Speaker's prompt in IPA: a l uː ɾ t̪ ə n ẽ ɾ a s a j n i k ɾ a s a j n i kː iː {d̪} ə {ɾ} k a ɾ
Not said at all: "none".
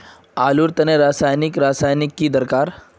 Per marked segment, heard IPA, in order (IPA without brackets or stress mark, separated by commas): d̪, ɾ